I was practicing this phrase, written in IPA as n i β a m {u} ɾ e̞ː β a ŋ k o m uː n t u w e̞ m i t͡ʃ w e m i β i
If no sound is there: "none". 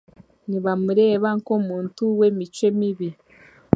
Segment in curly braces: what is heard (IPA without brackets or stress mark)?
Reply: u